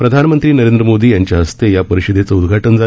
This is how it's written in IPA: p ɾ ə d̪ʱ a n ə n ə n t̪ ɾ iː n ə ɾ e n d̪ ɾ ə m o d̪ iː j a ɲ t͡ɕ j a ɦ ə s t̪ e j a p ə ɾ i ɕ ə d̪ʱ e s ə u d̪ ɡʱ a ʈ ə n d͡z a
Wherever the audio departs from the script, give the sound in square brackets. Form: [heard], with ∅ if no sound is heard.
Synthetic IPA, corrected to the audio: p ɾ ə d̪ʱ a n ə [m] ə n t̪ ɾ iː n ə ɾ e n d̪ ɾ ə m o d̪ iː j a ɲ t͡ɕ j a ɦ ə s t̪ e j a p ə ɾ i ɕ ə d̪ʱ e [t͡s] ə u d̪ ɡʱ a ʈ ə n d͡z a